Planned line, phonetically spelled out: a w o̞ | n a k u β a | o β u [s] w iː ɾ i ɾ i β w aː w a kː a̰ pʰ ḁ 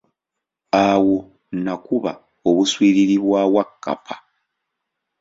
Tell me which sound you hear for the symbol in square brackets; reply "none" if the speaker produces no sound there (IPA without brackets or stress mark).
s